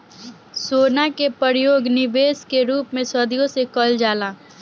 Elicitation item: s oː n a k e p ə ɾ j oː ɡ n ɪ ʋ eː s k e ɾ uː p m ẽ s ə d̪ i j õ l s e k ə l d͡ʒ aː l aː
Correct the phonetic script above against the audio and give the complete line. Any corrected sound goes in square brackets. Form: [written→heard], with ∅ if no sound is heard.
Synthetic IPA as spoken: s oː n a k e p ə ɾ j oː ɡ n ɪ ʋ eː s k e ɾ uː p m ẽ s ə d̪ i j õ [l→∅] s e k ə l d͡ʒ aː l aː